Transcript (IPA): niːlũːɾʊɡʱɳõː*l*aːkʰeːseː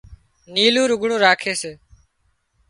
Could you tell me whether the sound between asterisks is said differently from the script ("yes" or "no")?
yes